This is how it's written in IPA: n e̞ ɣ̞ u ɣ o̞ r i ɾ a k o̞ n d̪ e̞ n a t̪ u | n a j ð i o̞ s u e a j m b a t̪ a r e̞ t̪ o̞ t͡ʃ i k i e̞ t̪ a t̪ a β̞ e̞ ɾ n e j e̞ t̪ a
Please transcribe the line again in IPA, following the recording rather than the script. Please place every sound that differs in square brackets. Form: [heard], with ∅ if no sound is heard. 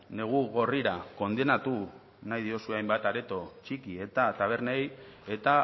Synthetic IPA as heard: n e̞ ɣ̞ u ɣ o̞ r i ɾ a k o̞ n d̪ e̞ n a t̪ u | n a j ð i o̞ s u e a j m b a t̪ a [ɾ] e̞ t̪ o̞ t͡ʃ i k i e̞ t̪ a t̪ a β̞ e̞ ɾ n e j e̞ t̪ a